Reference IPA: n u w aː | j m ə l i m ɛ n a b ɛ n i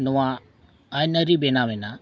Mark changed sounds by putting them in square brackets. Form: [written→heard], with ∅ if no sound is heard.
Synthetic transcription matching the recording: n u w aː | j [m→n] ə [l→ɾ] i [m→b] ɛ n a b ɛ n [i→a]